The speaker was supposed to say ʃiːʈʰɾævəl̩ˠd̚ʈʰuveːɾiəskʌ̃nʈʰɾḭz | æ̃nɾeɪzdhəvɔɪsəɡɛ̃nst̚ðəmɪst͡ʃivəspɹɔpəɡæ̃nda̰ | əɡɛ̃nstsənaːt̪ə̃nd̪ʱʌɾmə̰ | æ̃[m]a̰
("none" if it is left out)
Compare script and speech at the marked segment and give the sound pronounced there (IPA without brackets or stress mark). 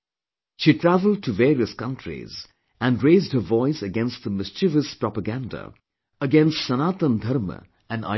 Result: n